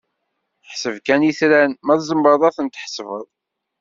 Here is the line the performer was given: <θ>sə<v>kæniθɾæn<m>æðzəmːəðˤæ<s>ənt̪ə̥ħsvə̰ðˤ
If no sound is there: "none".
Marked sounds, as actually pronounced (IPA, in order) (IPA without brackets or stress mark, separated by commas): ħ, v, m, θ